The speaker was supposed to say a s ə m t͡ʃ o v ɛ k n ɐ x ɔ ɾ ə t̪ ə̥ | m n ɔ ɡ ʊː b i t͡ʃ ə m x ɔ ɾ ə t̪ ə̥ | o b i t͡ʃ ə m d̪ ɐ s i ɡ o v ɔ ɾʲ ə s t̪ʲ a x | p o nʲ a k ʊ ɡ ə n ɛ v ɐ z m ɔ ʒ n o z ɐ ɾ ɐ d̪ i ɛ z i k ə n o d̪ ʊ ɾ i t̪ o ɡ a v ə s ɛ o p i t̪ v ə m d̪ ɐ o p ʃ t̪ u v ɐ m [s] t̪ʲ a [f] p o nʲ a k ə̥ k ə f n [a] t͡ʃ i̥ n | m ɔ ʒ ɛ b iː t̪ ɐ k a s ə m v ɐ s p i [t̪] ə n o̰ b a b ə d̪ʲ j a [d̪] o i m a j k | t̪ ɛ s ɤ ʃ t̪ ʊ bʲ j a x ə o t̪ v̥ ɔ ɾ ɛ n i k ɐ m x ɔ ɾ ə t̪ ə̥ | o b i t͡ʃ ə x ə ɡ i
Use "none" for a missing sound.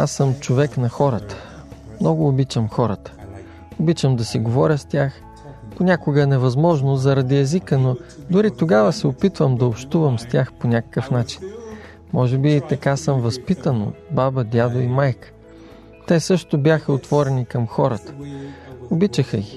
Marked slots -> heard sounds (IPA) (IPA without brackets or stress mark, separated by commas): s, x, a, t̪, d̪